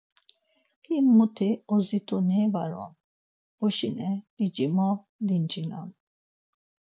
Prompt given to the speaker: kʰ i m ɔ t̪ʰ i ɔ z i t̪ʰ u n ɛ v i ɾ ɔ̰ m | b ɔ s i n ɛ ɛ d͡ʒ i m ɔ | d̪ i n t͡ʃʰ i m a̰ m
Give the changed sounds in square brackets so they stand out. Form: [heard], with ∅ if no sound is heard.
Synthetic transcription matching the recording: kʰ i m [u] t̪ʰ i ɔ z i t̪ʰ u n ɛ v [a] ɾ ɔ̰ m | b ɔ [ʃ] i n ɛ [i] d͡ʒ i m ɔ | d̪ i n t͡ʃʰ i [n] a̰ m